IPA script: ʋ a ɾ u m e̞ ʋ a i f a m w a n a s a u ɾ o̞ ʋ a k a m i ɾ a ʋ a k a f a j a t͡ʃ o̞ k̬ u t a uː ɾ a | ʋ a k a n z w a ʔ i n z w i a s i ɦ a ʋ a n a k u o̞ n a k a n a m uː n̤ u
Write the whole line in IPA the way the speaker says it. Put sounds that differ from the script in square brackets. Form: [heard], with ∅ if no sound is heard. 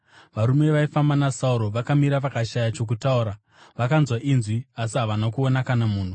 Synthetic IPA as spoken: ʋ a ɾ u m e̞ ʋ a i f a m [b] a n a s a u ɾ o̞ ʋ a k a m i ɾ a ʋ a k a [ʃ] a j a t͡ʃ o̞ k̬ u t a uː ɾ a | ʋ a k a n z w a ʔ i n z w i a s i ɦ a ʋ a n a k u o̞ n a k a n a m uː n̤ u